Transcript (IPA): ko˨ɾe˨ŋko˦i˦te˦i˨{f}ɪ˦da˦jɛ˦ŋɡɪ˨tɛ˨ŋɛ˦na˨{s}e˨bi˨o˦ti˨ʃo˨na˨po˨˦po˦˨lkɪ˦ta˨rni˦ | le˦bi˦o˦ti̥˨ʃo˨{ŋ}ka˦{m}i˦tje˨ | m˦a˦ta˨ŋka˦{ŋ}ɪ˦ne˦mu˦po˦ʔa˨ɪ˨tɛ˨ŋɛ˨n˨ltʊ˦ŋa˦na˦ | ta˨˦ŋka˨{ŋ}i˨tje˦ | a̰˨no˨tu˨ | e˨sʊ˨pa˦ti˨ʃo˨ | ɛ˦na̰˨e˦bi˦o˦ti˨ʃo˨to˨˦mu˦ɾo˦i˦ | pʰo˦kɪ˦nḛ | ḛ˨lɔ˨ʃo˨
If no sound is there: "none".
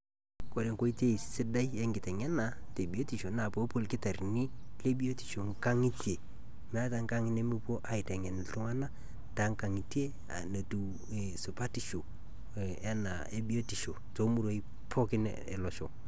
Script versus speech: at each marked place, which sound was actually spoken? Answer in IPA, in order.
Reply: s, t, ŋ, ŋ, ŋ, ŋ

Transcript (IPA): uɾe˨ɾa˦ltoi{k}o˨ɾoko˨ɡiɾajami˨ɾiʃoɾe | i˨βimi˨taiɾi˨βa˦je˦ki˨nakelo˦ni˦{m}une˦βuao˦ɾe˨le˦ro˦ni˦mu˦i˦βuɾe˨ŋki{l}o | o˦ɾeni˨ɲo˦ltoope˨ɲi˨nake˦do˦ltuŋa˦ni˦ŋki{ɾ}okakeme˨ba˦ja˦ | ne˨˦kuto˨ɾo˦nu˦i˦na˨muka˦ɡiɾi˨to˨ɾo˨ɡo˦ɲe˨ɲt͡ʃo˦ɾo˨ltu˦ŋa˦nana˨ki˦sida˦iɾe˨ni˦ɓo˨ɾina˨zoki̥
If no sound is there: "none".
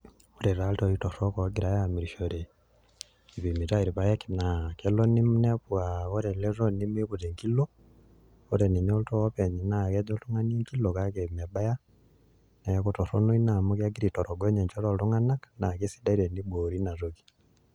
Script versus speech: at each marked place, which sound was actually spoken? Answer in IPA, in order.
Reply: t, m, l, l

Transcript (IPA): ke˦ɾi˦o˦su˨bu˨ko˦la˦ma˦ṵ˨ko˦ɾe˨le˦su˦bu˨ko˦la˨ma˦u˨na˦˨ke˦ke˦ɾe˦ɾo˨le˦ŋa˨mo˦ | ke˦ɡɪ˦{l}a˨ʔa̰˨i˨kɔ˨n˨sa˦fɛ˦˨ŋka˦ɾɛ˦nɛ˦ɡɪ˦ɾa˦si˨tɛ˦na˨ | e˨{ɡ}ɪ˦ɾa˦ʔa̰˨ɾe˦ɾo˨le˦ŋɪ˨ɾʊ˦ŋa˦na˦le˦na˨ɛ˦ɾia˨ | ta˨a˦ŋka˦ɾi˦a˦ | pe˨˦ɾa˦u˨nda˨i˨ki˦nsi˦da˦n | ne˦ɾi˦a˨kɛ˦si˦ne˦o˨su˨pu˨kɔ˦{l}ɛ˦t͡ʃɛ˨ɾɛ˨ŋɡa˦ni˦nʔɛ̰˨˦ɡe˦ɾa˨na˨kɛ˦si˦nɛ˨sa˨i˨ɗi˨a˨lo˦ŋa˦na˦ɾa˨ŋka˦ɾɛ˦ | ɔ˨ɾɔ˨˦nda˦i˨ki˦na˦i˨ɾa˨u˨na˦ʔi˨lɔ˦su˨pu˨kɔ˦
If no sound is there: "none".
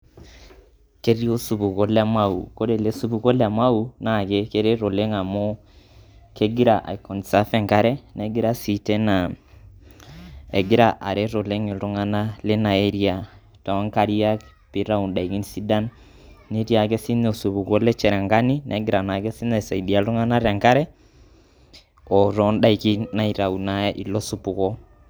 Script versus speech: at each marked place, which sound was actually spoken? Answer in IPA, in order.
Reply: ɾ, ɡ, l

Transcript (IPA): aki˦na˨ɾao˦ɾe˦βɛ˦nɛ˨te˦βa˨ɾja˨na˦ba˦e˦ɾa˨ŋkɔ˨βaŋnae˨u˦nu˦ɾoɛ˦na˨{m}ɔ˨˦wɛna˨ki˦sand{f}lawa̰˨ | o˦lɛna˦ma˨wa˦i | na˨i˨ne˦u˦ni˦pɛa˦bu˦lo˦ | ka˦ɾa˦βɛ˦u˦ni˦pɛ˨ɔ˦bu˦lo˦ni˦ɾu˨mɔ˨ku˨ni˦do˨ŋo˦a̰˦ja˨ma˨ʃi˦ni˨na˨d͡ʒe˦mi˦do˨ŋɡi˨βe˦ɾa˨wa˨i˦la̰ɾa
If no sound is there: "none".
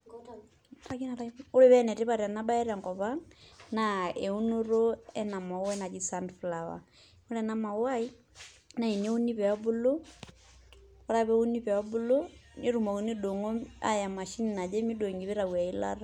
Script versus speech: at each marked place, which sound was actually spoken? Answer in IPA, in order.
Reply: m, f

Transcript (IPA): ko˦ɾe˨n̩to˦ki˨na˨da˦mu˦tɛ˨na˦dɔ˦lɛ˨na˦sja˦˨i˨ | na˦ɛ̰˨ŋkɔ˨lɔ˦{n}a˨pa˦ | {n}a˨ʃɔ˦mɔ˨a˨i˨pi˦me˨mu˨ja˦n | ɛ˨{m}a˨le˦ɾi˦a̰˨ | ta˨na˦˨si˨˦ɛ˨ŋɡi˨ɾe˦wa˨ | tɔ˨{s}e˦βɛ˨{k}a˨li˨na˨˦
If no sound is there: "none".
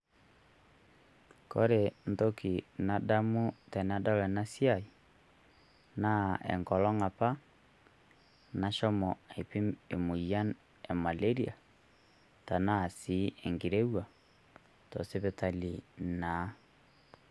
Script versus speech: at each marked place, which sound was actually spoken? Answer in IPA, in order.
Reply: ŋ, n, m, s, t

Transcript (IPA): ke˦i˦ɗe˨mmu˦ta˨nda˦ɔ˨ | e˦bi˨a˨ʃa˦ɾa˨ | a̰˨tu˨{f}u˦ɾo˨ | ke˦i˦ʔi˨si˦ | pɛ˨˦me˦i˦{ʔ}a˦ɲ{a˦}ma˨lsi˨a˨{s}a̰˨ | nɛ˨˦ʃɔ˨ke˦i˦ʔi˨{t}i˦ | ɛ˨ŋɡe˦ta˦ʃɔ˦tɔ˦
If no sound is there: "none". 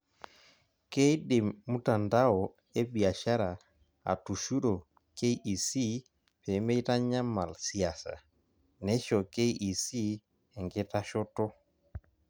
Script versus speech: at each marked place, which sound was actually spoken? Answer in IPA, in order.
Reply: ʃ, t, a˦, s, s

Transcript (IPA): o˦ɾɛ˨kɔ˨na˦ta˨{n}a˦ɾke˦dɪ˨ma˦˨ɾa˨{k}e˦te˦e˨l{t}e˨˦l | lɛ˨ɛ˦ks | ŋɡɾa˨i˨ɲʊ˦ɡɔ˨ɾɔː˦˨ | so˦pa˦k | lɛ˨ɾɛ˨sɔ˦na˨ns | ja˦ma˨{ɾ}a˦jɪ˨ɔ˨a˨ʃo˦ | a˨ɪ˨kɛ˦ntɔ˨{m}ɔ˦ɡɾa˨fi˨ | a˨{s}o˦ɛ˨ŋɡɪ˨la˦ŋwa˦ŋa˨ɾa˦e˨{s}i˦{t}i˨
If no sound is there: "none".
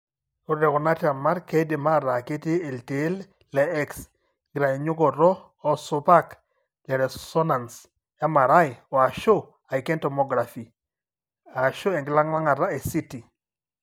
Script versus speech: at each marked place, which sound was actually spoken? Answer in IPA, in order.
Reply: m, k, t, ɾ, m, ʃ, s, t

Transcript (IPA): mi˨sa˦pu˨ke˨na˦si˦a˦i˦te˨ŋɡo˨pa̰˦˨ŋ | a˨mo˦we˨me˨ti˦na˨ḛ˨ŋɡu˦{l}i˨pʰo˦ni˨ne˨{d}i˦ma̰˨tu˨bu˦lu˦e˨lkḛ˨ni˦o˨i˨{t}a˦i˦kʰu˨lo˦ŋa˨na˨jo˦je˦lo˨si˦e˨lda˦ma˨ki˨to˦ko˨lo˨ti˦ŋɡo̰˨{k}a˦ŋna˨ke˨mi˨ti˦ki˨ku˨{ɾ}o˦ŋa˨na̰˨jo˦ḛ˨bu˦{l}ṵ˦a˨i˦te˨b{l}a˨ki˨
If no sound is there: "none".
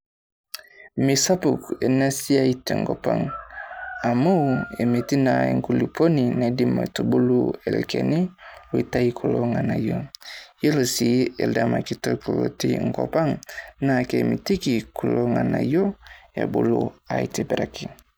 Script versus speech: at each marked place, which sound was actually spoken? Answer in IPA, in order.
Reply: l, d, t, p, l, l, ɾ

